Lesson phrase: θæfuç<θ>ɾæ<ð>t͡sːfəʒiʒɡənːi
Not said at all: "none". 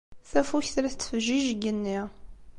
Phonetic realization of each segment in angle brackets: θ, θ

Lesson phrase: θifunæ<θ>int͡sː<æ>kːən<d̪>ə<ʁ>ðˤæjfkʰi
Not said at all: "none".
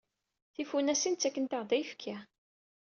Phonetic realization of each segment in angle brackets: s, æ, t̪, ʁ

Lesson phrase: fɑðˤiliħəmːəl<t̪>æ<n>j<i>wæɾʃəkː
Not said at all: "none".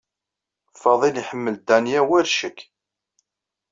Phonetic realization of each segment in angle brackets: d̪, n, æ

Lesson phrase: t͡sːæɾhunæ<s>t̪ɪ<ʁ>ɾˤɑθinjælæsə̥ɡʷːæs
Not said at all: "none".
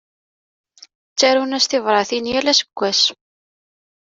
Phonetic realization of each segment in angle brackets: s, v

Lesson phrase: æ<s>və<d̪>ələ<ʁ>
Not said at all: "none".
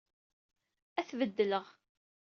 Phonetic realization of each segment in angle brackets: θ, d̪ː, ʁ

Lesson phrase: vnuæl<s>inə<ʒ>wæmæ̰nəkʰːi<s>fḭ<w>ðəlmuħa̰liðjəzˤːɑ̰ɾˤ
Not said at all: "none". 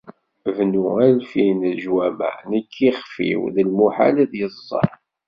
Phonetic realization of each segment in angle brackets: f, ʒ, χ, w

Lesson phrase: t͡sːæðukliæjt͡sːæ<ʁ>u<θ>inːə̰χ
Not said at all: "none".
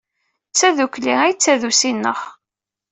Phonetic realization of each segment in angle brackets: ð, s

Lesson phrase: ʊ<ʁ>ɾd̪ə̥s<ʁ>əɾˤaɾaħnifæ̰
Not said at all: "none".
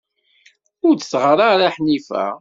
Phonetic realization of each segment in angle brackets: none, ʁ

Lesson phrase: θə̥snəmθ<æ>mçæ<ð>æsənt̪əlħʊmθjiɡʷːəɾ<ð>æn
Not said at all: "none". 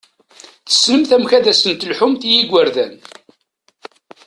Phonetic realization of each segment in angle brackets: æ, ð, ð

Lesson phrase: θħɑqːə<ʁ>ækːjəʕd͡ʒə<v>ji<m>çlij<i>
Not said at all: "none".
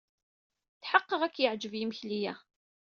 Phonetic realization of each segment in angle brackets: ʁ, v, m, æ

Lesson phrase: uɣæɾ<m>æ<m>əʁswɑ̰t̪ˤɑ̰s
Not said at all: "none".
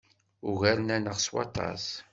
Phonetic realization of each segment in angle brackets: n, n

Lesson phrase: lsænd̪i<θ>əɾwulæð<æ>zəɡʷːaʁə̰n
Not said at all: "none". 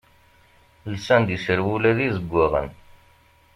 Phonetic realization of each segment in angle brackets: s, i

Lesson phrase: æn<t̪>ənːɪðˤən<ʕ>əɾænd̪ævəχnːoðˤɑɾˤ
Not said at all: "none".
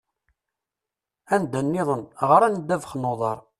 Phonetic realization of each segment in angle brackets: d̪, ʁ

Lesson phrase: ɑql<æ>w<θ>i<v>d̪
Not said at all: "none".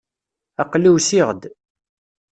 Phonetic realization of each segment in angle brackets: i, s, ʁ

